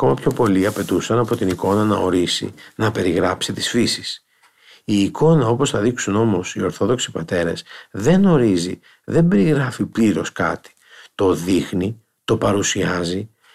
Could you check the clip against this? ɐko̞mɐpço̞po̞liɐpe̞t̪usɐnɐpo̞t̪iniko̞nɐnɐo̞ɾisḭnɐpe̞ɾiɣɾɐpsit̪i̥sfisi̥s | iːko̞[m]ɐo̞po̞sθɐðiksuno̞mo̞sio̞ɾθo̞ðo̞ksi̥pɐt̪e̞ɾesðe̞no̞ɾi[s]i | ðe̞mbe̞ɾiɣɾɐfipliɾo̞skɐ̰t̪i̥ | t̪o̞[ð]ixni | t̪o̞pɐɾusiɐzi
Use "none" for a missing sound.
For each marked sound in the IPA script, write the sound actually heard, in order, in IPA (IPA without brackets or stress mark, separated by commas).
n, z, ð